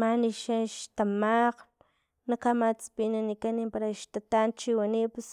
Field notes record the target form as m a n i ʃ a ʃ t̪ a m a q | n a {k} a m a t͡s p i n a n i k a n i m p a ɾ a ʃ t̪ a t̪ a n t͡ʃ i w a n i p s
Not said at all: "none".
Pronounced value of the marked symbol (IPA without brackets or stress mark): k